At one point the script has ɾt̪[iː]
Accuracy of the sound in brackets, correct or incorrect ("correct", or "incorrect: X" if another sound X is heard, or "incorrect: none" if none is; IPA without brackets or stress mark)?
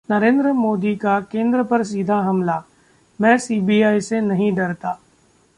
incorrect: aː